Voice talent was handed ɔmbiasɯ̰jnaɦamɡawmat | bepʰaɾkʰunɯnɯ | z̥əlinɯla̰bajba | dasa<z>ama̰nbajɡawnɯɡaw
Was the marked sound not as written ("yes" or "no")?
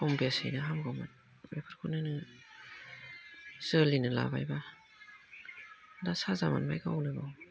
no